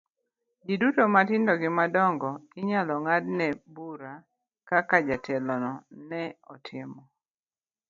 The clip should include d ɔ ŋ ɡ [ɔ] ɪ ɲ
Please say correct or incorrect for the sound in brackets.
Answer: correct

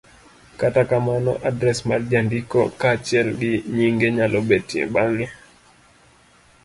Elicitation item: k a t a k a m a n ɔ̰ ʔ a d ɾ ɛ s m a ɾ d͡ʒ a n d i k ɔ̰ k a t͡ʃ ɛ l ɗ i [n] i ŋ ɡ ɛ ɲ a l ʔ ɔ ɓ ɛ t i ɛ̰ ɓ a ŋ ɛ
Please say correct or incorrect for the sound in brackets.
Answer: incorrect: ɲ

